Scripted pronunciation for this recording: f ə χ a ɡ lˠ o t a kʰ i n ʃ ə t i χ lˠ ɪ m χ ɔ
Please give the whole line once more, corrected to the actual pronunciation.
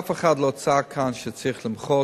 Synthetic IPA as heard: f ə χ a d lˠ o t͡s a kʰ a n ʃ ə t͡s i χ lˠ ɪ m χ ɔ

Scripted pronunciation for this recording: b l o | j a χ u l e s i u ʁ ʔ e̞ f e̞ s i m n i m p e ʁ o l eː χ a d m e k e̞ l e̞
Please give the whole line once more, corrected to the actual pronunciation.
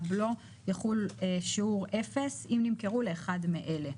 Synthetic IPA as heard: b l o | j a χ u l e ʃ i u ʁ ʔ e̞ f e̞ s i m n i m k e ʁ u l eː χ a d m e ʔ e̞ l e̞

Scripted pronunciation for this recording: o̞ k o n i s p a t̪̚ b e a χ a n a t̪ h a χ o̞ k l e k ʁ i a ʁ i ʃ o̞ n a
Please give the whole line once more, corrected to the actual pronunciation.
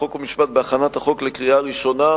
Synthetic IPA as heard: o̞ k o m i ʃ p a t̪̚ b e a χ a n a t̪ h a χ o̞ k l e k ʁ i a ʁ i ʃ o̞ n a

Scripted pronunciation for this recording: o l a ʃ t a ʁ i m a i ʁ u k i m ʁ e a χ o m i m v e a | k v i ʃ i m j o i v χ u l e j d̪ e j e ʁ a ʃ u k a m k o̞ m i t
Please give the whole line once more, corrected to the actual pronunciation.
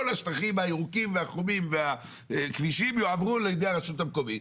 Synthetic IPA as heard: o l a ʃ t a χ i m a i ʁ u k i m v e a χ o m i m v e a | k v i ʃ i m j o a v ʁ u l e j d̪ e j a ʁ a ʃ u t a m k o̞ m i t

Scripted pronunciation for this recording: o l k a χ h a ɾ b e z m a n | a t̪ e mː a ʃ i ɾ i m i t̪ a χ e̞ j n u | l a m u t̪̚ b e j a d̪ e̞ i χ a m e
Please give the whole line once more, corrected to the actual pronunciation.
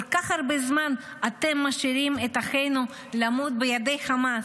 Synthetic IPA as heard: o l k a χ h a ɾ b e z m a n | a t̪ e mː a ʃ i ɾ i m e t̪ a χ e̞ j n u | l a m u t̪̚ b e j a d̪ e̞ j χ a m a

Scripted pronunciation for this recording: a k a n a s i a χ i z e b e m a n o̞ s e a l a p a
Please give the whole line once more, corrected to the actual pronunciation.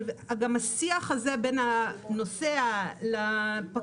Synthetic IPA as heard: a ɡ a m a s i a χ a z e b e n a n o̞ s e a l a p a

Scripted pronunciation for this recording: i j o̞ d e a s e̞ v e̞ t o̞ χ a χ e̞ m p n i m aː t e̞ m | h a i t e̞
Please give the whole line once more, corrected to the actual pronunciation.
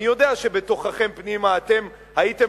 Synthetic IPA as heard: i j o̞ d e a ʃ e̞ b e̞ t o̞ χ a χ e̞ m p n i m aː t e̞ m | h a i t e̞

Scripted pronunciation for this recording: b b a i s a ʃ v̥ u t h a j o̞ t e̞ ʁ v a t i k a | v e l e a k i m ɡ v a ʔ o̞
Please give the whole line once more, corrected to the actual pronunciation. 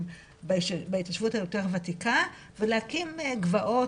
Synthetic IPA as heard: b b a i t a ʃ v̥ u t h a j o̞ t e̞ ʁ v a t i k a | v e l e a k i m ɡ v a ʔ o̞

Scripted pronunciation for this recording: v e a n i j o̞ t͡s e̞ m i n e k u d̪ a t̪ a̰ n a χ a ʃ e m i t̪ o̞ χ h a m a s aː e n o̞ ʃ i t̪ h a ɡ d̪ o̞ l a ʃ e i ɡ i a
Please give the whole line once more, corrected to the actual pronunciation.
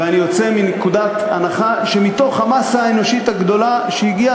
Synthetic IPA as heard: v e a n i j o̞ t͡s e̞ m i n e k u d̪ a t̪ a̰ n a χ a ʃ e m i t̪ o̞ χ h a m a s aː e n o̞ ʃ i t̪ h a ɡ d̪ o̞ l a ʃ e i ɡ i a

